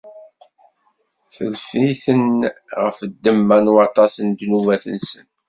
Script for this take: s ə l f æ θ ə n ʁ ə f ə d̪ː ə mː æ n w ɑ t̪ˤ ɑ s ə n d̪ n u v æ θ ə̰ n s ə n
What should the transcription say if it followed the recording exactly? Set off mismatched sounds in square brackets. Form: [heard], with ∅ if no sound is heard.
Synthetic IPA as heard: [θ] ə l f [i] θ ə n ʁ ə f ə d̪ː ə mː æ n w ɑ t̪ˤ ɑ s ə n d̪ n u v æ θ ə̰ n s ə n